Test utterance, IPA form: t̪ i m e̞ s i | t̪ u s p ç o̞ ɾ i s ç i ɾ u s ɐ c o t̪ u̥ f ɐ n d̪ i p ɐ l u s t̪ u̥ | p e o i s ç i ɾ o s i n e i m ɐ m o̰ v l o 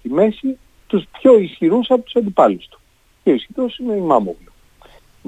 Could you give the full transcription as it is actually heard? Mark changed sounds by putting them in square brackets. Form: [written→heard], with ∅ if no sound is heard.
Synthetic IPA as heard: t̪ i m e̞ s i | t̪ u s p ç o̞ [ɾ→∅] i s ç i ɾ u s ɐ [c→p] o t̪ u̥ [f→s] ɐ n d̪ i p ɐ l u s t̪ u̥ | [p→c] e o i s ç i ɾ o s i n e i m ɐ m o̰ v l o